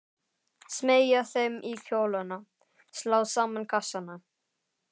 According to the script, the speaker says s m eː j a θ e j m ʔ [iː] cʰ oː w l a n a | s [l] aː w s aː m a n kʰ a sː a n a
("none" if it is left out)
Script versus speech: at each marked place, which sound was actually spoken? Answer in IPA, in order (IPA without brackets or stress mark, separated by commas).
i, l